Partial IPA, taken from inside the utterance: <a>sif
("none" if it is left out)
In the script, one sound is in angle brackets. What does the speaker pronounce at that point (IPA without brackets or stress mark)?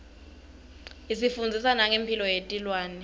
i